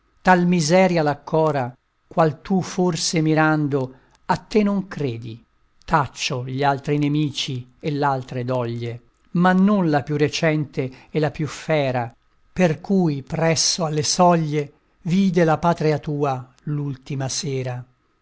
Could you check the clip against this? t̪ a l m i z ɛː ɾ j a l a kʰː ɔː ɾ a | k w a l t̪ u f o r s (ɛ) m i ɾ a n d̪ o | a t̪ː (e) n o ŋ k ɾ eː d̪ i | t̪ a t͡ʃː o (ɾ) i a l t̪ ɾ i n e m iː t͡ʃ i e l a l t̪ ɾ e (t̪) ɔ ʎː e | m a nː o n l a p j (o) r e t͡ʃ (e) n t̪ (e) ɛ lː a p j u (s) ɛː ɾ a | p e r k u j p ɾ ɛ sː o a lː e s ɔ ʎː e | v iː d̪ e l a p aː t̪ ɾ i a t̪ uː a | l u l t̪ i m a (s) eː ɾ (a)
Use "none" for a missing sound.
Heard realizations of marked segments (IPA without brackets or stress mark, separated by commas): e, e, ʎ, d̪, u, ɛ, e, f, s, a